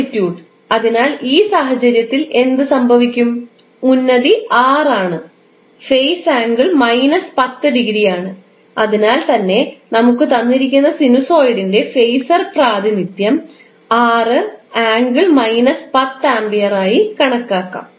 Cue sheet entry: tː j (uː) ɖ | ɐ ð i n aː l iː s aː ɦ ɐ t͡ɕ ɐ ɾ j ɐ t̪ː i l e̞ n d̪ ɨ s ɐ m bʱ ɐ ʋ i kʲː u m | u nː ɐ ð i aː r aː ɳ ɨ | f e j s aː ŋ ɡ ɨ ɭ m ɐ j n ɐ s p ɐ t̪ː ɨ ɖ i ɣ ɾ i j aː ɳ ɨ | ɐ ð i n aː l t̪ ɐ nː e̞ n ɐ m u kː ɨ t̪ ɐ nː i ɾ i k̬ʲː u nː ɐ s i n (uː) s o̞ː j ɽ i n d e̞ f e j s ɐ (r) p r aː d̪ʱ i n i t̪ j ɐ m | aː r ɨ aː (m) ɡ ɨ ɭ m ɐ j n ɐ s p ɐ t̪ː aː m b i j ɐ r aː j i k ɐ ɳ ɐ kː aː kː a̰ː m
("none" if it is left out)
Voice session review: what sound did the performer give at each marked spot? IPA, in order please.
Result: uː, u, r, ŋ

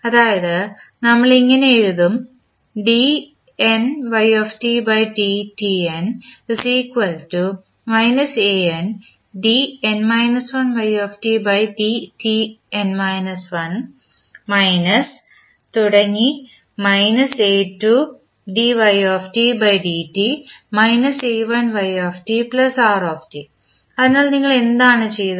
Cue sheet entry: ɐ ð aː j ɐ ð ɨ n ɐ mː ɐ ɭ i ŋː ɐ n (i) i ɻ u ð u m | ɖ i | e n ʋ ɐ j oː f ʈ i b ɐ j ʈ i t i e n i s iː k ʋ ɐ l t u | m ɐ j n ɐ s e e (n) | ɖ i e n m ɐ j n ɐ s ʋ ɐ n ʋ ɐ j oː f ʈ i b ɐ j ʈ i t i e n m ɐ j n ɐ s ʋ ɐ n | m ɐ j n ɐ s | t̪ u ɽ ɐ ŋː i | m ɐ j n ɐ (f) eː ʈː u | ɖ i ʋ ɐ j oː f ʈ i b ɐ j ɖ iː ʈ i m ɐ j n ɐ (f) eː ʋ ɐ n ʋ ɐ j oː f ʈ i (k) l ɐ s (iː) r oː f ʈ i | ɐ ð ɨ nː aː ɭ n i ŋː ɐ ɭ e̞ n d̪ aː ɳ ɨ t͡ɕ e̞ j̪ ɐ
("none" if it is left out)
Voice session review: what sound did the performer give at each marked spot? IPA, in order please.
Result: e, n, s, s, p, aː

